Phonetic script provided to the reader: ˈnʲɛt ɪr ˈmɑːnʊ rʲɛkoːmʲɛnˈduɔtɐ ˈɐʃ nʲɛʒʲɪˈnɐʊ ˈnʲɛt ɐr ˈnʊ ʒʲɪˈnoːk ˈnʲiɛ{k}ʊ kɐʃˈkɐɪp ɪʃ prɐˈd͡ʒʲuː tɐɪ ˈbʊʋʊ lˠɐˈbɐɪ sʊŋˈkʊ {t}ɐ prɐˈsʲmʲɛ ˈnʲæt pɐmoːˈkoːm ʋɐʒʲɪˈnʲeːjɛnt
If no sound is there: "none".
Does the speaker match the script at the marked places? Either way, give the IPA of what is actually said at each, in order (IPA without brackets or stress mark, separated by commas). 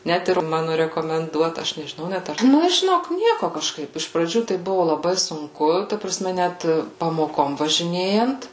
k, t